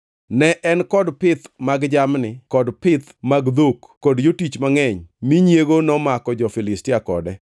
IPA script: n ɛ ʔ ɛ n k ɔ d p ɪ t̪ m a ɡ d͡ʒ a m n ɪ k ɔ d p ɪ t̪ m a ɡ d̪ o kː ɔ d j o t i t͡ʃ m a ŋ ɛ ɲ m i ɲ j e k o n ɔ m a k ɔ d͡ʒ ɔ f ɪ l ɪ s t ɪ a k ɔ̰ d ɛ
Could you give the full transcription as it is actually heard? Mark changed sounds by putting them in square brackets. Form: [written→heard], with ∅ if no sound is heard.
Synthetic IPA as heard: n ɛ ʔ ɛ n k ɔ d p ɪ t̪ m a ɡ d͡ʒ a m n ɪ k ɔ d p ɪ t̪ m a ɡ d̪ o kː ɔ d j o t i t͡ʃ m a ŋ ɛ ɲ m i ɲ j e [k→ɡ] o n ɔ m a k ɔ d͡ʒ ɔ f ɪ l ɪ s t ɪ a k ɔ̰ d ɛ

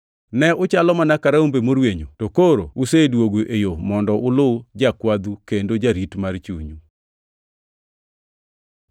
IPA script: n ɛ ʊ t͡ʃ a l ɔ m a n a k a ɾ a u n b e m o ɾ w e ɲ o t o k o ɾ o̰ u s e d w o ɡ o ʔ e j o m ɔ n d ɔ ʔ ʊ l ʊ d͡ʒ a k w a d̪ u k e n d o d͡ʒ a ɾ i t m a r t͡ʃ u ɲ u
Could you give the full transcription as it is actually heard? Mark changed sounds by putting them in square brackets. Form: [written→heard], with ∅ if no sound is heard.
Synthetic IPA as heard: n ɛ ʊ t͡ʃ a l ɔ m a n a k a ɾ a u [n→m] b e m o ɾ w e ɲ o t o k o ɾ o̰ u s e d w o ɡ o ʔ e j o m ɔ n d ɔ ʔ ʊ l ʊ d͡ʒ a k w a d̪ u k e n d o d͡ʒ a ɾ i t m a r t͡ʃ u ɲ u

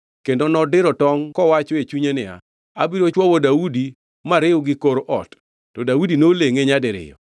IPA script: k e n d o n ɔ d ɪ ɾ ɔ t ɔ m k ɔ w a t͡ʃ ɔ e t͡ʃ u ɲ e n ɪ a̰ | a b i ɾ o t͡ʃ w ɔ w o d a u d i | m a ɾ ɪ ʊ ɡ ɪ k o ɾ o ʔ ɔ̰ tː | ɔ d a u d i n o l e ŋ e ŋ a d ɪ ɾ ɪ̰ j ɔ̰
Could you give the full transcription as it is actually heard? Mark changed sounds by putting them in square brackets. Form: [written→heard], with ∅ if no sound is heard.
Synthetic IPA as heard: k e n d o n ɔ d ɪ ɾ ɔ t ɔ [m→ŋ] k ɔ w a t͡ʃ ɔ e t͡ʃ u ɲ e n ɪ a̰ | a b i ɾ o t͡ʃ w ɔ w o d a u d i | m a ɾ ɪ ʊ ɡ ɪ k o ɾ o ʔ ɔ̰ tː | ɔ d a u d i n o l e ŋ e [ŋ→ɲ] a d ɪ ɾ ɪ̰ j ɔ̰

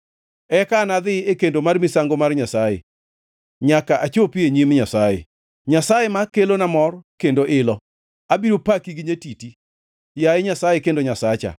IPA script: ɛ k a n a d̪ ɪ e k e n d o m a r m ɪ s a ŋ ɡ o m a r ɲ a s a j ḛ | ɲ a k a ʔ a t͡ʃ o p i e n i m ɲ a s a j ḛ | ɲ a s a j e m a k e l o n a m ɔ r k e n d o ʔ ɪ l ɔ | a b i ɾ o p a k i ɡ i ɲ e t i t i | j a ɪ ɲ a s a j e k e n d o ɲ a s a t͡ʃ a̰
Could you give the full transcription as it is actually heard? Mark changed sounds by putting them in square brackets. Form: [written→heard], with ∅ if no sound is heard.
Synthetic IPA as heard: ɛ k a n a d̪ ɪ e k e n d o m a r m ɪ s a ŋ ɡ o m a r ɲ a s a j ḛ | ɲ a k a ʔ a t͡ʃ o p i e [n→ɲ] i m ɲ a s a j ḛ | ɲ a s a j e m a k e l o n a m ɔ r k e n d o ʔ ɪ l ɔ | a b i ɾ o p a k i ɡ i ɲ e t i t i | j a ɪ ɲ a s a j e k e n d o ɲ a s a t͡ʃ a̰

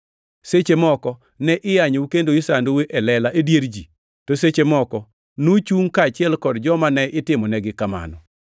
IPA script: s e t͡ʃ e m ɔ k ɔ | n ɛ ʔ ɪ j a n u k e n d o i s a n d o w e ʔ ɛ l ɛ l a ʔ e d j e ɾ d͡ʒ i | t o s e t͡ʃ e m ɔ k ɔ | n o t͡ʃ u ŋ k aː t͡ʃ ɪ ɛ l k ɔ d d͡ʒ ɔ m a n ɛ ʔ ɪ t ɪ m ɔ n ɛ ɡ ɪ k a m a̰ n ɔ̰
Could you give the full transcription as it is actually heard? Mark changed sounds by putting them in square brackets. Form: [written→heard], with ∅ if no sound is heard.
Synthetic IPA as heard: s e t͡ʃ e m ɔ k ɔ | n ɛ ʔ ɪ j a [n→ɲ] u k e n d o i s a n d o w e ʔ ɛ l ɛ l a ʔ e d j e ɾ d͡ʒ i | t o s e t͡ʃ e m ɔ k ɔ | n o t͡ʃ u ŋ k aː t͡ʃ ɪ ɛ l k ɔ d d͡ʒ ɔ m a n ɛ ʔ ɪ t ɪ m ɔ n ɛ ɡ ɪ k a m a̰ n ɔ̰

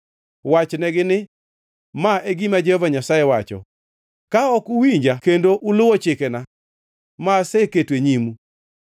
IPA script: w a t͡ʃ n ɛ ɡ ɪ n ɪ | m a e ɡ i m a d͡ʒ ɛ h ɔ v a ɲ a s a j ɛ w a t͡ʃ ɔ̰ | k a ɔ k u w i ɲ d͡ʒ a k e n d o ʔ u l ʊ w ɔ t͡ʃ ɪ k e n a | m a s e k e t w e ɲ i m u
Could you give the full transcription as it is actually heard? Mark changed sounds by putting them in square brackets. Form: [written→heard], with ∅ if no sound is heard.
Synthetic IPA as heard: w a t͡ʃ n ɛ ɡ ɪ n ɪ | m a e ɡ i m a d͡ʒ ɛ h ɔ v a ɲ a s a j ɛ w a t͡ʃ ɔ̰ | k a ɔ k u w i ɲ d͡ʒ a k e n d o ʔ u l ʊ w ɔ t͡ʃ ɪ k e n a | m a s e k e t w e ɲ i m u

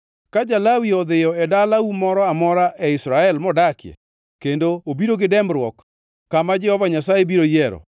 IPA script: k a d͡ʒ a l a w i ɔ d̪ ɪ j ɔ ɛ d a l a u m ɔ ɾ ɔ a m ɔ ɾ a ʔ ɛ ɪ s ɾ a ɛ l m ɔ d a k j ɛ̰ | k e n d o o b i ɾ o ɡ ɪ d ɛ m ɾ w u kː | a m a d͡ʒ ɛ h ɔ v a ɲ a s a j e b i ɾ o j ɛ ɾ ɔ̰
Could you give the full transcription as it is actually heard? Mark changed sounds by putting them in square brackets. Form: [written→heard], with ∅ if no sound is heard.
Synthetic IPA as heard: k a d͡ʒ a l a w i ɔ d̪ ɪ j ɔ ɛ d a l a u m ɔ ɾ ɔ a m ɔ ɾ a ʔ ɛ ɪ s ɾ a ɛ l m ɔ d a k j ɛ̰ | k e n d o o b i ɾ o ɡ ɪ d ɛ m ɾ w [u→ɔ] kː | a m a d͡ʒ ɛ h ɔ v a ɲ a s a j e b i ɾ o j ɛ ɾ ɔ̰

